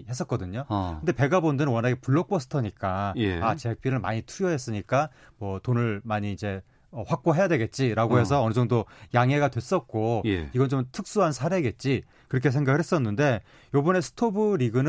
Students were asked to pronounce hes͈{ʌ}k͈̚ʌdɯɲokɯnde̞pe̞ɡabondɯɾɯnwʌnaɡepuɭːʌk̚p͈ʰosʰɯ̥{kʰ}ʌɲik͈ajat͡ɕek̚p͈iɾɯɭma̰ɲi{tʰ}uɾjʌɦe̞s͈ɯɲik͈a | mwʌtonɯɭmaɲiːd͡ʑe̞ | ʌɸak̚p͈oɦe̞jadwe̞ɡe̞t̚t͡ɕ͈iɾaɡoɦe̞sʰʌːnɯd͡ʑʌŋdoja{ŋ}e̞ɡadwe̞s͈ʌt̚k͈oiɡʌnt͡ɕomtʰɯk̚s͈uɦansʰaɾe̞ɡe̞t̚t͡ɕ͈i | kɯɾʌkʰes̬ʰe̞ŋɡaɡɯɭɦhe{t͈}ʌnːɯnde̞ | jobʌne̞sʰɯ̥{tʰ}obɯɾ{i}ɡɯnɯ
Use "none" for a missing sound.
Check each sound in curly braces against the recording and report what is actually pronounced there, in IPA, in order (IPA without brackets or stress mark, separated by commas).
ʌ, tʰ, tʰ, ŋ, s͈, tʰ, i